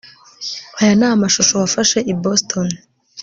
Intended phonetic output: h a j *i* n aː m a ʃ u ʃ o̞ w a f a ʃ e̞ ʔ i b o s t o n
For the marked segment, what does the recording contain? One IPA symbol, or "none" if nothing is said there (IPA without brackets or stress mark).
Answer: a